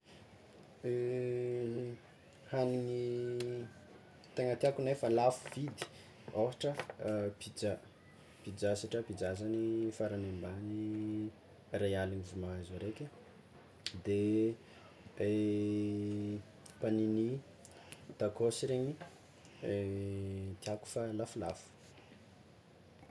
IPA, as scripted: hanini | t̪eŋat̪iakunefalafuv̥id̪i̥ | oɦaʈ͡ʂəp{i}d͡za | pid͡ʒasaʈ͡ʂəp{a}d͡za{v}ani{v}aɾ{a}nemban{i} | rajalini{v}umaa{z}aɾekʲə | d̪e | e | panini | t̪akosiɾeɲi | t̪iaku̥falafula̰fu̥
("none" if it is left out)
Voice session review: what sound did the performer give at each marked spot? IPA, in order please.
i, i, z, f, a, i, v, z

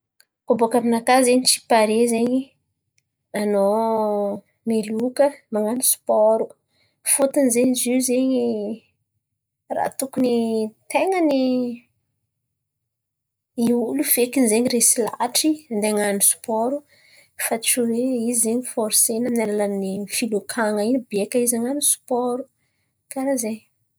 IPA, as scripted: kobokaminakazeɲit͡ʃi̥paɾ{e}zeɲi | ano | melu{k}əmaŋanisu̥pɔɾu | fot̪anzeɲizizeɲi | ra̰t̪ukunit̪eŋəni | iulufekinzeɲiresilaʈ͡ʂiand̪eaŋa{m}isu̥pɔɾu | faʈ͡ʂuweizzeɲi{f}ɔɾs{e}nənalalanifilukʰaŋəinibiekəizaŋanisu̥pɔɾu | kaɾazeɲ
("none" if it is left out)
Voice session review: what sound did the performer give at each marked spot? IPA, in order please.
e, k, n, f, e

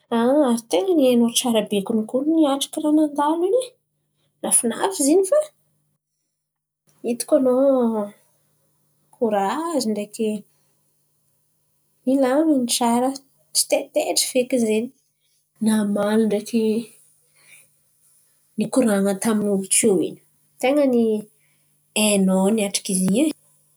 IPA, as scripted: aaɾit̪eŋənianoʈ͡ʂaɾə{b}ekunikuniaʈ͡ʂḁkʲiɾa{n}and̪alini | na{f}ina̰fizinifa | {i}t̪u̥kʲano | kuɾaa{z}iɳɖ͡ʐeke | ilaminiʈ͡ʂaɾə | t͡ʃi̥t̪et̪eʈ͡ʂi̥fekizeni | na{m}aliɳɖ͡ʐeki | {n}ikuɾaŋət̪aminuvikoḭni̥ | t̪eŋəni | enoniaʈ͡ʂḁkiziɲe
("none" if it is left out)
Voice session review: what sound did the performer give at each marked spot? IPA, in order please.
b, n, f, i, z, m, n

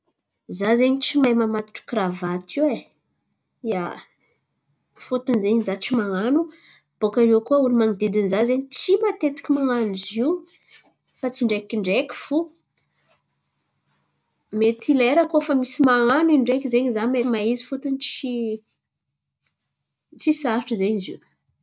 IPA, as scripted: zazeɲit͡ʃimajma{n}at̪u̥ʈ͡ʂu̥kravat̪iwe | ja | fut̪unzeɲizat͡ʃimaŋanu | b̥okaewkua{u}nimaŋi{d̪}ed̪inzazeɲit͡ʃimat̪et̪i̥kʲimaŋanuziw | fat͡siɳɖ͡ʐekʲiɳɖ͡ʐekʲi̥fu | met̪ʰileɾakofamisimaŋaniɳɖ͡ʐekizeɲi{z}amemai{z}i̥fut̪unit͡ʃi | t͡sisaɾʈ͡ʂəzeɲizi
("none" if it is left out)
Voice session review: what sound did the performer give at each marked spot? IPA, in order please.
m, u, d̪, z, z

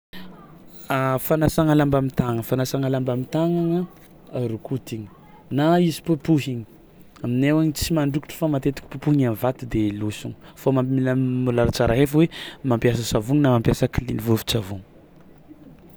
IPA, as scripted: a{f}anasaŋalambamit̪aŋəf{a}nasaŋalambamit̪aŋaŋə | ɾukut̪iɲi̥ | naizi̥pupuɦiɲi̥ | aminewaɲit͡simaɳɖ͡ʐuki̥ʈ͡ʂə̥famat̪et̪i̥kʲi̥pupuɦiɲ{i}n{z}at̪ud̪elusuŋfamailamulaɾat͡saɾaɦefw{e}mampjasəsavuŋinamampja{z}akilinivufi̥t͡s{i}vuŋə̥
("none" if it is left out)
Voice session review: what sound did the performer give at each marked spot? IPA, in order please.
f, a, a, v, e, s, a

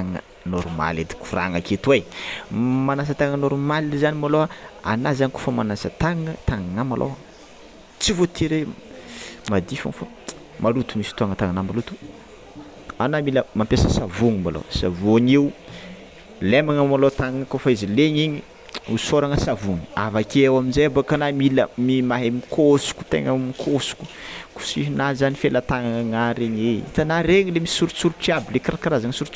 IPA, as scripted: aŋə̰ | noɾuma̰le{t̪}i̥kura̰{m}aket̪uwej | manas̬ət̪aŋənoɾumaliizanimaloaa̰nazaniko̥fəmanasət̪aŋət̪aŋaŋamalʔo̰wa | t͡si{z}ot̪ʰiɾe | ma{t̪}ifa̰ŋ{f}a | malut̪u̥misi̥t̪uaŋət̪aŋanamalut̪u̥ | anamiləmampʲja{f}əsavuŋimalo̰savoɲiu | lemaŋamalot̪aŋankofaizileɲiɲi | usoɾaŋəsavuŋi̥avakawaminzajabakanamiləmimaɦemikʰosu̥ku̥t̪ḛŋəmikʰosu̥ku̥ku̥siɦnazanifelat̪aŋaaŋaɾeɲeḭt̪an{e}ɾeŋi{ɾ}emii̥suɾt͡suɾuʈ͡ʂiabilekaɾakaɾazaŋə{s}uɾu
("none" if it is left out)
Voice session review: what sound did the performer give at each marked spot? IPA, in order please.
d̪, ŋ, v, d̪, f, s, a, l, s

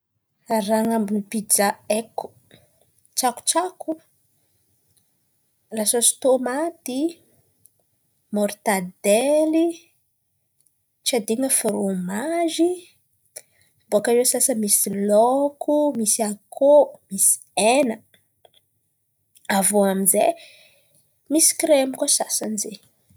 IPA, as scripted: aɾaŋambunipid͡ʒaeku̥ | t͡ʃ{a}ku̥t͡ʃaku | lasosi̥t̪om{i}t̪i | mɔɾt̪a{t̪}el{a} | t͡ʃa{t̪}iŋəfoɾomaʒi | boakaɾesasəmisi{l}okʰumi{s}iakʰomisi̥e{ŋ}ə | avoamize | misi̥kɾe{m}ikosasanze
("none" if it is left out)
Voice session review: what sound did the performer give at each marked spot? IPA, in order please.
a, a, d̪, i, d̪, l, s, n, m

